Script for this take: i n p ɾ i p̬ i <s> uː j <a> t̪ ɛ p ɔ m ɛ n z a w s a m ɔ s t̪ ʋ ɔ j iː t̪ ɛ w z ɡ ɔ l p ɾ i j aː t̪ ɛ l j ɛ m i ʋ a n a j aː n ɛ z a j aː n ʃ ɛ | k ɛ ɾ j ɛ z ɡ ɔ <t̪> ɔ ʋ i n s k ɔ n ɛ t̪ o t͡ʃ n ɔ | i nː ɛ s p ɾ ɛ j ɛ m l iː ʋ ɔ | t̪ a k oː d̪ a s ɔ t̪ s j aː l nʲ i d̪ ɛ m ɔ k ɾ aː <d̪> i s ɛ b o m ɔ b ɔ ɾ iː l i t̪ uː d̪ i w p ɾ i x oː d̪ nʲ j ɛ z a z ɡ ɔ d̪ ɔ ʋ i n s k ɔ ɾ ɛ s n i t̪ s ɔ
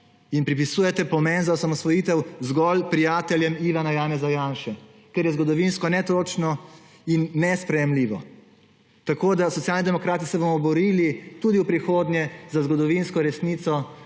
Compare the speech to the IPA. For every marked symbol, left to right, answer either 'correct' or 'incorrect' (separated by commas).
correct, incorrect, incorrect, incorrect